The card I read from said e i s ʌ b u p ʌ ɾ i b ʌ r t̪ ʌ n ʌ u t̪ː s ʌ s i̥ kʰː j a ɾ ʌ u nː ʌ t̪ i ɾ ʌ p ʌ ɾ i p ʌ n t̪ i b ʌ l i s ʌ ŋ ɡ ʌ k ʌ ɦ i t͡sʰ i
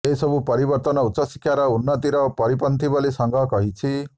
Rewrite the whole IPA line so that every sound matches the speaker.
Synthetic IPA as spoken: e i s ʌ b u p ʌ ɾ i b ʌ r t̪ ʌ n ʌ u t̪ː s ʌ s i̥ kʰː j a ɾ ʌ u nː ʌ t̪ i ɾ ʌ p ʌ ɾ i p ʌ n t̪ i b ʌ l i s ʌ ŋ ɡ ʌ k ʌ ɦ i t͡sʰ i